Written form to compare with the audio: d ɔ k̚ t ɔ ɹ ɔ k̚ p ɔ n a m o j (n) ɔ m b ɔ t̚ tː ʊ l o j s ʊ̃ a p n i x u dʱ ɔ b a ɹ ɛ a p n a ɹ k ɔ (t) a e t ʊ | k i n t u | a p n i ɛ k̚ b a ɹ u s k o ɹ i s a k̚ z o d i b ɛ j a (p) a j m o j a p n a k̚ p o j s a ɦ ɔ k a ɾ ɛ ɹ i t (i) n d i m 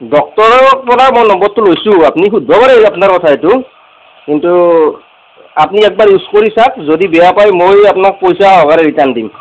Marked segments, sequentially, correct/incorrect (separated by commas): correct, incorrect, correct, incorrect